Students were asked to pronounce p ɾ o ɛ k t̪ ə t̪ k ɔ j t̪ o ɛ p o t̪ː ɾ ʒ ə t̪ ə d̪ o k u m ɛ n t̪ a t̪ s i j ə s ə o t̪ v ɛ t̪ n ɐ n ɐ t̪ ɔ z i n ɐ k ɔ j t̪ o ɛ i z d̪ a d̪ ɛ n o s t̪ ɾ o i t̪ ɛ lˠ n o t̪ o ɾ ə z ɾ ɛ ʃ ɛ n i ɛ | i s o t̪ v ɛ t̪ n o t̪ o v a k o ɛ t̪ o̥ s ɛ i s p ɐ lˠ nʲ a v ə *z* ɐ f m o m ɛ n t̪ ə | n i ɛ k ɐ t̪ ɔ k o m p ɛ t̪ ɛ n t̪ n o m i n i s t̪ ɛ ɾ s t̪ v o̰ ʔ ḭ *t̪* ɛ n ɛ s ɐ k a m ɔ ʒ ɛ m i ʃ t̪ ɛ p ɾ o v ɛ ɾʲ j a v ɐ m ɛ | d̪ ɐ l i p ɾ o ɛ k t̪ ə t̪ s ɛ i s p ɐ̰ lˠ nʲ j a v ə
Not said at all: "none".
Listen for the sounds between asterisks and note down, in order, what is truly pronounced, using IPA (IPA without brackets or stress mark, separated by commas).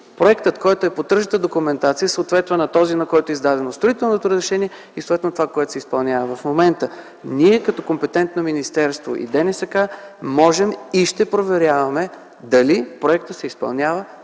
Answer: v, d̪